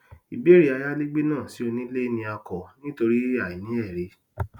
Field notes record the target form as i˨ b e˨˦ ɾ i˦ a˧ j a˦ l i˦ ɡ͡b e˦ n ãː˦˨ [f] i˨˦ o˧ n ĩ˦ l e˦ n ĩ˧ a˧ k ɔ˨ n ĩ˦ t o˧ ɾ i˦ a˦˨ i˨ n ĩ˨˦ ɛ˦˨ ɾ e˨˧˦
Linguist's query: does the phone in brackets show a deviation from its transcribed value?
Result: yes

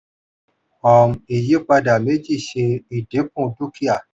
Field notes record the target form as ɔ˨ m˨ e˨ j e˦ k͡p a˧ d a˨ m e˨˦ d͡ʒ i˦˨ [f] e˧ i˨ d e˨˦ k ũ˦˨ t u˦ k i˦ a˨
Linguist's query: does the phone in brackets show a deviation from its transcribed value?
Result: yes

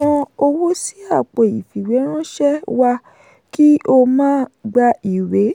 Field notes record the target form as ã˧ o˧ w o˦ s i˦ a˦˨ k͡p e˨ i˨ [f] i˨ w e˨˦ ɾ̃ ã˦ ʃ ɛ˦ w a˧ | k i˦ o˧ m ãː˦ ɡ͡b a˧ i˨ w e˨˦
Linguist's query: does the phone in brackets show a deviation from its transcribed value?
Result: no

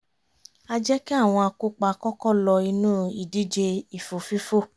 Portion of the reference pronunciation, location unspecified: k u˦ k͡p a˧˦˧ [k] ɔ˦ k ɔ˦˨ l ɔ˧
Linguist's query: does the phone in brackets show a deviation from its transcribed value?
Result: no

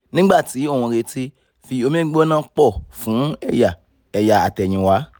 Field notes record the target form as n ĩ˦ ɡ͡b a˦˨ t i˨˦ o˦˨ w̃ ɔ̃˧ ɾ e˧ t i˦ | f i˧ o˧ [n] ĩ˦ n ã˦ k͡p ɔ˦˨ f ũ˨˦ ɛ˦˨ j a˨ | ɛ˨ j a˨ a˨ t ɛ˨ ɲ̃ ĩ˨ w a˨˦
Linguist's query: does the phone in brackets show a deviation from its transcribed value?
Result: yes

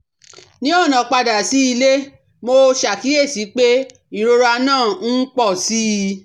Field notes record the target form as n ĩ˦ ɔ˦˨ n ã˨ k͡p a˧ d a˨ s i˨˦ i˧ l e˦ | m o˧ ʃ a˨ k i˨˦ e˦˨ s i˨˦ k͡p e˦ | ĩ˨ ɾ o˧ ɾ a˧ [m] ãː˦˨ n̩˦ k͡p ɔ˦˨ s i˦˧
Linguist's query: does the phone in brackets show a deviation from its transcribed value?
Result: yes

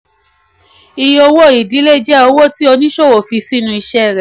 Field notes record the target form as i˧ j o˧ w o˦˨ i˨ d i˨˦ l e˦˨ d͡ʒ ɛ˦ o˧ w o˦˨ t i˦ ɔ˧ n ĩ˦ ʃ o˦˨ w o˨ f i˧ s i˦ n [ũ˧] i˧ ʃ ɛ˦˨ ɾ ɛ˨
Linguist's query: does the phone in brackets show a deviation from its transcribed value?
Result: no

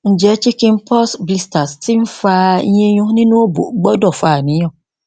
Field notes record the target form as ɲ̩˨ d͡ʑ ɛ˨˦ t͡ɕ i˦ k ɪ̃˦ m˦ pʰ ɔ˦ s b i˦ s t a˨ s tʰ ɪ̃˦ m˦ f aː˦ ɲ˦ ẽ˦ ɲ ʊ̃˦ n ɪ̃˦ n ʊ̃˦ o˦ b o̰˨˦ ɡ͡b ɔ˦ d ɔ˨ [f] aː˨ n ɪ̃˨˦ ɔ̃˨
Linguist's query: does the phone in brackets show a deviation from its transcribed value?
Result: no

